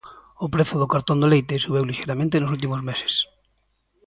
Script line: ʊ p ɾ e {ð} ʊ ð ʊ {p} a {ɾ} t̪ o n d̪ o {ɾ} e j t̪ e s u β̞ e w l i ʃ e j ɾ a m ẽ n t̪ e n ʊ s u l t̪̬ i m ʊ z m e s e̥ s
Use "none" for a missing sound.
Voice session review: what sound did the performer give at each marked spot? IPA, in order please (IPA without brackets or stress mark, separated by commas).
θ, k, ɾ, l